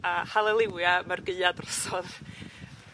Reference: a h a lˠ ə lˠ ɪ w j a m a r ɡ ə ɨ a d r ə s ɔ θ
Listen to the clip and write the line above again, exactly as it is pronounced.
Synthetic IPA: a h a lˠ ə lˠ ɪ w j a m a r ɡ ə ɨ a d r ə s ɔ ð

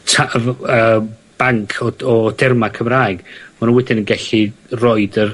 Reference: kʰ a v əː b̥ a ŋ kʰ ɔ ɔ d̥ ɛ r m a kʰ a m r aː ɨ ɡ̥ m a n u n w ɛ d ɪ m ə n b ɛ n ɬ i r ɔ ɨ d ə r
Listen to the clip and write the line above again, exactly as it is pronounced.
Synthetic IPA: tʰ a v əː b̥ a ŋ kʰ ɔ ɔ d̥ ɛ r m a kʰ ə m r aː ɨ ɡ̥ m a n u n w ɛ d ɪ n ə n ɡ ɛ ɬ i r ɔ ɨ d ə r

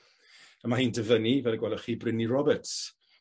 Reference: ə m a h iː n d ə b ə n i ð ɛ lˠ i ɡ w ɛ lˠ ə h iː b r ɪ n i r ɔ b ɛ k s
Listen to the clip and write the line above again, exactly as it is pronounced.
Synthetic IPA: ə m a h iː n d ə v ə n i v ɛ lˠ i ɡ w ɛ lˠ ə χ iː b r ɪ n i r ɔ b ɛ t s

